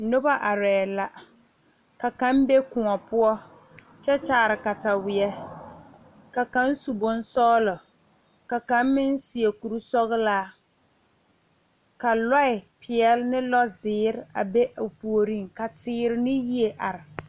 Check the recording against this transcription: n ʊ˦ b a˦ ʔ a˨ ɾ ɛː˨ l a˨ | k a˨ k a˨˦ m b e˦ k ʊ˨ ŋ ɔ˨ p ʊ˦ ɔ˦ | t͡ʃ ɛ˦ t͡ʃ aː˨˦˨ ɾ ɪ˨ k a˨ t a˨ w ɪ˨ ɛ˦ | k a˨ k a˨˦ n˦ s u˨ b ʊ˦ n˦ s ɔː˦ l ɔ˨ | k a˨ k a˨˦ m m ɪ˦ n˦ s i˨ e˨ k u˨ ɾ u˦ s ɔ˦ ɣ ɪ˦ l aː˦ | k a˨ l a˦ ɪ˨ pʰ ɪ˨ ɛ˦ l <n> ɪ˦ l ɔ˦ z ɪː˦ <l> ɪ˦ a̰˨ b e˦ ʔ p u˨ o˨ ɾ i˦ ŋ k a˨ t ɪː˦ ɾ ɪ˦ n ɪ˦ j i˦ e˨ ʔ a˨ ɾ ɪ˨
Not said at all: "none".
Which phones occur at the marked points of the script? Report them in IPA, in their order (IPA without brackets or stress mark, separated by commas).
n, ɾ